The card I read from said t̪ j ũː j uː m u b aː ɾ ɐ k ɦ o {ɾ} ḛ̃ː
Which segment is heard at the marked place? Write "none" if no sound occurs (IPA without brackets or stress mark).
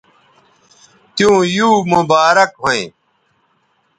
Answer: none